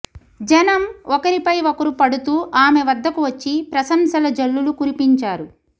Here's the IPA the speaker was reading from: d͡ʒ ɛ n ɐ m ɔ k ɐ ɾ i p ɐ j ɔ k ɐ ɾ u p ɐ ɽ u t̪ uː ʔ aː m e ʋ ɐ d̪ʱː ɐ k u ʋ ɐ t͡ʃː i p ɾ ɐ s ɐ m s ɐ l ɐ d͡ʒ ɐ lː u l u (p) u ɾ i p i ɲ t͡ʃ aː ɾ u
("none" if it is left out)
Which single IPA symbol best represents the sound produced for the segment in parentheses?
k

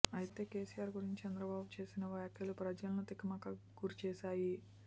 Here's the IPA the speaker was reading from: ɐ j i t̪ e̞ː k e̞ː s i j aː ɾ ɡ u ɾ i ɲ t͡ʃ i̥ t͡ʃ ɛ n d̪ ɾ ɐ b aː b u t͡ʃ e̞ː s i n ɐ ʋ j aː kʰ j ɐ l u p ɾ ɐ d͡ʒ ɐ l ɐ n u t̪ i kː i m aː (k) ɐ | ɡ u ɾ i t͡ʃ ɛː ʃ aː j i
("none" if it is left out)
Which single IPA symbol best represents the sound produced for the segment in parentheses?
k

